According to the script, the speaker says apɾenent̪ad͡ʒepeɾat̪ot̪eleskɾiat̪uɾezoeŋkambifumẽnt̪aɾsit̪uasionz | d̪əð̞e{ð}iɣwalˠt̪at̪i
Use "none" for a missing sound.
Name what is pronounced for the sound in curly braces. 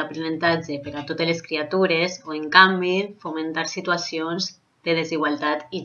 z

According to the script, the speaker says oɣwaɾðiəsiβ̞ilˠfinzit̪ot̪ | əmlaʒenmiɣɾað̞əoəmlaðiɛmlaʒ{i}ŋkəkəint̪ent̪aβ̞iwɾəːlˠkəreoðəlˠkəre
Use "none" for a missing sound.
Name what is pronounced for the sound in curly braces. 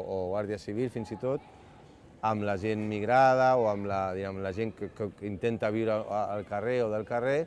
e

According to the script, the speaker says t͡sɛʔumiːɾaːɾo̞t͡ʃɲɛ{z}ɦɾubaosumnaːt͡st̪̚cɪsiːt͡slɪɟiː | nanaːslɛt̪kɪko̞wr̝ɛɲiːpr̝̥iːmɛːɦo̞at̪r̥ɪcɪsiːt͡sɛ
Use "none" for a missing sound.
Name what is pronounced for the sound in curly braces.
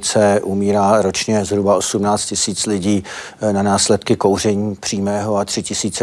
z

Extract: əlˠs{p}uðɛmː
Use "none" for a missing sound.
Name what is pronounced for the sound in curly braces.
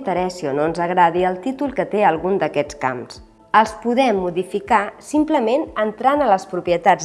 p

